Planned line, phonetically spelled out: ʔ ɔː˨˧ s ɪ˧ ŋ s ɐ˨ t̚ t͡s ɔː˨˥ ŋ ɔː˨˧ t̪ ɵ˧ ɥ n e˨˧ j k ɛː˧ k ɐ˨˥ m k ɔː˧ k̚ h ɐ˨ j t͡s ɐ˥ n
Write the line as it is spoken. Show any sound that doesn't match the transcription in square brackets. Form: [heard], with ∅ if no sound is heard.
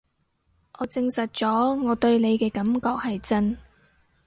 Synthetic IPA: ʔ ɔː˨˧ [t͡s] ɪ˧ ŋ s ɐ˨ t̚ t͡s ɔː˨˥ ŋ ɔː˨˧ t̪ ɵ˧ ɥ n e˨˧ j k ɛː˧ k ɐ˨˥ m k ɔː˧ k̚ h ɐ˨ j t͡s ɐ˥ n